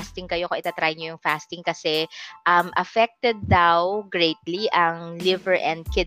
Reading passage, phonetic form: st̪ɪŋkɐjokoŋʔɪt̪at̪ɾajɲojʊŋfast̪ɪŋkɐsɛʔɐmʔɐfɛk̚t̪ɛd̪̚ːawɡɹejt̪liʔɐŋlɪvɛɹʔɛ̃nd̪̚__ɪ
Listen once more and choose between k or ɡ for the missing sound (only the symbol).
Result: k